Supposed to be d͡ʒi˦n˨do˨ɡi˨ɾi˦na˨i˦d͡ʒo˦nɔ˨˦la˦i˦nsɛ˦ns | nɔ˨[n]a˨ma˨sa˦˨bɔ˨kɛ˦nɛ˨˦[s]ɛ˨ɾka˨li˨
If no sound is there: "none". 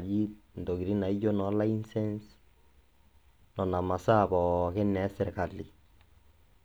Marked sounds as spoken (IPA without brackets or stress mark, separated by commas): n, s